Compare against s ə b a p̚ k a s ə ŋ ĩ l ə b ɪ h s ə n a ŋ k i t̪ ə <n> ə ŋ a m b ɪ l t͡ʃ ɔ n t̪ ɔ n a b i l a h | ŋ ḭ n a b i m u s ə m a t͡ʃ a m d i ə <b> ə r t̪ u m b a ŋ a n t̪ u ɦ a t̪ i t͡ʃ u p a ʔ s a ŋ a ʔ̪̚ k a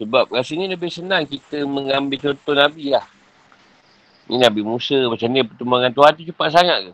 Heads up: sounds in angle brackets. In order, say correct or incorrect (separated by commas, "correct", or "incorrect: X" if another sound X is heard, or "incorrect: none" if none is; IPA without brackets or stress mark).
incorrect: m, incorrect: p